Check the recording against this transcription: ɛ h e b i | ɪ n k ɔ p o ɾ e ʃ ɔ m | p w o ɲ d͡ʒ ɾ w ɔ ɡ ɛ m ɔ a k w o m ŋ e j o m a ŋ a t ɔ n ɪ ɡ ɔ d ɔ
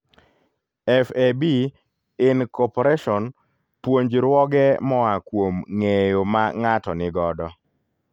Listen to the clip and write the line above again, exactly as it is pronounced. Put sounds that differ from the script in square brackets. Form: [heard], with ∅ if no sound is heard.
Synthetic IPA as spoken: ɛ [f] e b i | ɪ n k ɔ p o ɾ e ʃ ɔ [n] | p w o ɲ d͡ʒ ɾ w ɔ ɡ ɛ m ɔ a k w o m ŋ e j o m a ŋ a t ɔ n ɪ ɡ ɔ d ɔ